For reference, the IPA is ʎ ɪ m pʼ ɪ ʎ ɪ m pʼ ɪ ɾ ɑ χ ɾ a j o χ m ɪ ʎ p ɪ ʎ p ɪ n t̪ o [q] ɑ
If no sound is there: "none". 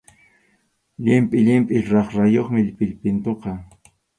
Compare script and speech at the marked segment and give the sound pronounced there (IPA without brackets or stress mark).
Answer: q